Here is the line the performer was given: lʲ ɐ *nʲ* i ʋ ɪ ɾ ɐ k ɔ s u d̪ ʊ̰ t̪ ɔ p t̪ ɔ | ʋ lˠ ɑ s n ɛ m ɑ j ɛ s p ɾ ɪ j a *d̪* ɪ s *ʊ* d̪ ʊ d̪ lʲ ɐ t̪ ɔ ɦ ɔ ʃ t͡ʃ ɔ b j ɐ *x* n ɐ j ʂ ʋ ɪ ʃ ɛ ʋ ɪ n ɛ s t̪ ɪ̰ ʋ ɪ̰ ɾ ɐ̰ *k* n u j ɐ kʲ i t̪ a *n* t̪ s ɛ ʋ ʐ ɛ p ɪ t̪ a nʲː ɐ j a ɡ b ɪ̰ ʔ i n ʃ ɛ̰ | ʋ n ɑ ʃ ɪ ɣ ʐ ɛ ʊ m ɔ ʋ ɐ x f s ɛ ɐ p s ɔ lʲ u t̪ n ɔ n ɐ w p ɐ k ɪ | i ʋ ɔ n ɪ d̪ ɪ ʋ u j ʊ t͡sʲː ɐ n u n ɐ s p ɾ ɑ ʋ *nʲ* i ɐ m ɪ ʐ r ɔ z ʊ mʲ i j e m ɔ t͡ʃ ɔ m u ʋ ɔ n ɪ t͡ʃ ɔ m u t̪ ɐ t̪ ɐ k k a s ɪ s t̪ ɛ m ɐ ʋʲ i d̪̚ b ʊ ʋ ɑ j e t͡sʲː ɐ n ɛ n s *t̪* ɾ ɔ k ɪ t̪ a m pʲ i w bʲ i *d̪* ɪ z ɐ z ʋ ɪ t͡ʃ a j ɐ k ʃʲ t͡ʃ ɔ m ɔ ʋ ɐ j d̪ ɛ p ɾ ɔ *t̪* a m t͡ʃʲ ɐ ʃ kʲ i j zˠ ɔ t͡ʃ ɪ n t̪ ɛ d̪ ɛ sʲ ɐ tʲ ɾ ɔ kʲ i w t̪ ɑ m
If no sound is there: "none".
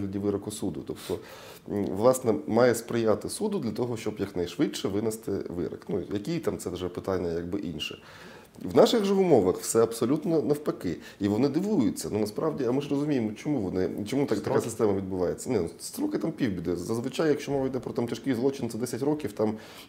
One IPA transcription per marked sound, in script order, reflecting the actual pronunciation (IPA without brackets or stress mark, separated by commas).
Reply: dʲ, t̪, u, k, k, m, dʲ, t̪, d̪, t̪